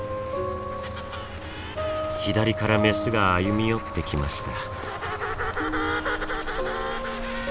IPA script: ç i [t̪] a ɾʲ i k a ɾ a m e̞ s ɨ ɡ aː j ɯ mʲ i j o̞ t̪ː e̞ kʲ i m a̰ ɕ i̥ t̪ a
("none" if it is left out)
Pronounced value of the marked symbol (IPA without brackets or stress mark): d̪